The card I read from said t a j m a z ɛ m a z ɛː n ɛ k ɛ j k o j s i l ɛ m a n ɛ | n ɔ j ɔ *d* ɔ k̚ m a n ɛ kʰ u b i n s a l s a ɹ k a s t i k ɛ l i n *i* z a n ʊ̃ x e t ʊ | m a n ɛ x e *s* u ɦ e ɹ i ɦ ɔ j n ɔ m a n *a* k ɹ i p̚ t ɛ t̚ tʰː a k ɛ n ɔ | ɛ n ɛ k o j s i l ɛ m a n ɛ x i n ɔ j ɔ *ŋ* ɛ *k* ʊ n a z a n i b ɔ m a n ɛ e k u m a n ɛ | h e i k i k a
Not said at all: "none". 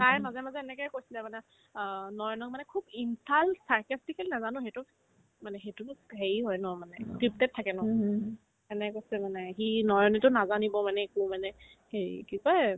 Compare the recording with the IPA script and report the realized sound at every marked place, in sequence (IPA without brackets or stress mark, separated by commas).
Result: n, a, t, ɛ, n, t